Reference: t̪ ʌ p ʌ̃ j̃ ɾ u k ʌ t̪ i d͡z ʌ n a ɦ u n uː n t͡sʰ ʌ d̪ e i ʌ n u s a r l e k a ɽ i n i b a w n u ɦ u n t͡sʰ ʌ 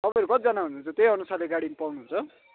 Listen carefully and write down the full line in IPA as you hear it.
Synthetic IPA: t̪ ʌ p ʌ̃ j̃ ɾ u k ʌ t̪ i d͡z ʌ n a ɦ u n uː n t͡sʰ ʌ t̪ e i ʌ n u s a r l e ɡ a ɽ i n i p a w n u ɦ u n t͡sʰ ʌ